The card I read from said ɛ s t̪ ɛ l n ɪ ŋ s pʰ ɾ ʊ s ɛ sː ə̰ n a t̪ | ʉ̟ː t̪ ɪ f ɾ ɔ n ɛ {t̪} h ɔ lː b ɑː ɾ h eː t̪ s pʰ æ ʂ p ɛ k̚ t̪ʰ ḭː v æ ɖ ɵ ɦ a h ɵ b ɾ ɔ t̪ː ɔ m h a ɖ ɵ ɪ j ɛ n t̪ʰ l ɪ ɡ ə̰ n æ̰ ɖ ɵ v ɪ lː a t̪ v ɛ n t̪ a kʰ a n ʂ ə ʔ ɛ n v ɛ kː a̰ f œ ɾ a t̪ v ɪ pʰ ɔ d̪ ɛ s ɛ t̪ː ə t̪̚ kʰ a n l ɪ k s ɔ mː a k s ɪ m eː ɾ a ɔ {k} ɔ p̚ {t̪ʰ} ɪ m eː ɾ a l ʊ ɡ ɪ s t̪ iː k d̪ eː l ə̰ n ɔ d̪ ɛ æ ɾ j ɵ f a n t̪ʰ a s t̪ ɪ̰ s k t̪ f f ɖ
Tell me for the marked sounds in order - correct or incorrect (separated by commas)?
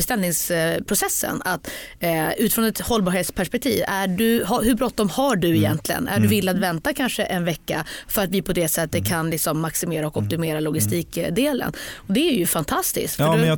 correct, correct, incorrect